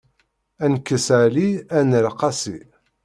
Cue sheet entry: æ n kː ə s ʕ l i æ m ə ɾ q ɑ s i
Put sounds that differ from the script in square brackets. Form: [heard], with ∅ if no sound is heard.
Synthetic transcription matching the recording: æ n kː ə s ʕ l i æ [n] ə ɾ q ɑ s i